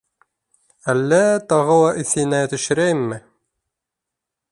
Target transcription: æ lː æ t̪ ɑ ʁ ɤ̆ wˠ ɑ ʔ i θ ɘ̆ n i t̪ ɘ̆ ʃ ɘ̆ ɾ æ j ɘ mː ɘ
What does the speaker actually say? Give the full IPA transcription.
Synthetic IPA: æ lː æ t̪ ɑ ʁ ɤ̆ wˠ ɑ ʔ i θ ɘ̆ n æ t̪ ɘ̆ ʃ ɘ̆ ɾ æ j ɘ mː ɘ